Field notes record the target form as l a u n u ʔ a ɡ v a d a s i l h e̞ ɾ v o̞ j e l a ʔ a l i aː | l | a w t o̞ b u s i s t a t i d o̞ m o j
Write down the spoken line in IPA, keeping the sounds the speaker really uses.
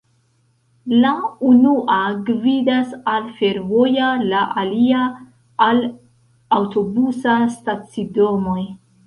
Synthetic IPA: l a u n u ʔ a ɡ v i d a s a l f e̞ ɾ v o̞ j a l a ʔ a l i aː | l | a w t o̞ b u s a s t a t͡s i d o̞ m o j